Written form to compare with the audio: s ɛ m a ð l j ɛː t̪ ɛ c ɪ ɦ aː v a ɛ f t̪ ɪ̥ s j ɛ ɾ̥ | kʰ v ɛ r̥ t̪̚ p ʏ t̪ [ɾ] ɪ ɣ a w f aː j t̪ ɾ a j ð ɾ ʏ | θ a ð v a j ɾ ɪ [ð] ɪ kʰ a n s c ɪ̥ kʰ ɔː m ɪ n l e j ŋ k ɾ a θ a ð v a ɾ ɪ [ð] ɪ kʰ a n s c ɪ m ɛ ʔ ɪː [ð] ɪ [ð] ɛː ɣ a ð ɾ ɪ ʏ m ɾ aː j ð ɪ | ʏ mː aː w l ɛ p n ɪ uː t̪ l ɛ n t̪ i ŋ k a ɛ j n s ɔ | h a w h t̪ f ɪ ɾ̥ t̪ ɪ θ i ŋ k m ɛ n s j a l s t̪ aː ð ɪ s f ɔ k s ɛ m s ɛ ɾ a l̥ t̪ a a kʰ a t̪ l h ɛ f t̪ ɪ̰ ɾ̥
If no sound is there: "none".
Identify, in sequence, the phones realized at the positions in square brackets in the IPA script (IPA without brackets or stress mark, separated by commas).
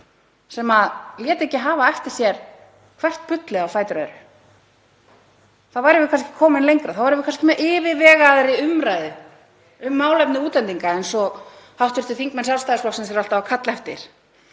l, v, v, v, v